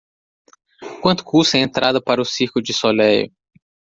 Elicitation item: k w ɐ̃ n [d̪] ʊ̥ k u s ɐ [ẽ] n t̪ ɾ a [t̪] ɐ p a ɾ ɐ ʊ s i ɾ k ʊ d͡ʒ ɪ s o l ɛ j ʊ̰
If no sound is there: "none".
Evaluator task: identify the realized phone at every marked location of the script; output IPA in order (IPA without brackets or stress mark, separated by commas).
t̪, ẽ, d̪